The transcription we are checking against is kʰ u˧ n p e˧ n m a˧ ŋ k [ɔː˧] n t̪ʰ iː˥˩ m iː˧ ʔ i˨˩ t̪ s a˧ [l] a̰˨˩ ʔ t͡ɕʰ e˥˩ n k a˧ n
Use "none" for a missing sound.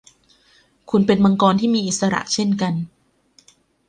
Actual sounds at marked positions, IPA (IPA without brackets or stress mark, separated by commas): ɔː˧, ɾ